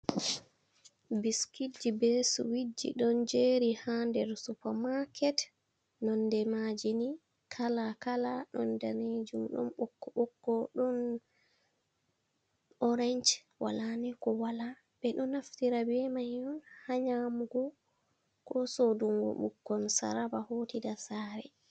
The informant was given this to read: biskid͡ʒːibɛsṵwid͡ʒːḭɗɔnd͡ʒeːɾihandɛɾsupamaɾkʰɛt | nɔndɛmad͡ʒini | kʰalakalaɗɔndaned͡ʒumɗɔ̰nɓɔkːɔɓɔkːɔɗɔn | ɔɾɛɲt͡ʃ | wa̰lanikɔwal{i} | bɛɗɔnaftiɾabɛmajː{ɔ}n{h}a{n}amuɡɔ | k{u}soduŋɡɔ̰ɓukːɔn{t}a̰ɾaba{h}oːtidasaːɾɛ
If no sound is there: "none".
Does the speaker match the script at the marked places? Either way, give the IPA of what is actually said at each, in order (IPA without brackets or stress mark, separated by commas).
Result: a, ɔ, h, ɲ, ɔ, s, h